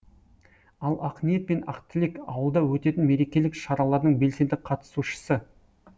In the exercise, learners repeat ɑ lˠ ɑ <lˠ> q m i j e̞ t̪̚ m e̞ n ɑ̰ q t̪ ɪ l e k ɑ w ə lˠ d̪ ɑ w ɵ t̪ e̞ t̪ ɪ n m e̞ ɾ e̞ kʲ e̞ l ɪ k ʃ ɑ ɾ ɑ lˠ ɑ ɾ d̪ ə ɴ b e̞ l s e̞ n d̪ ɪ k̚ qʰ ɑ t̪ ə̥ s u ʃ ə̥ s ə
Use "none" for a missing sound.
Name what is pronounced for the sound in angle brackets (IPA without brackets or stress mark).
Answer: none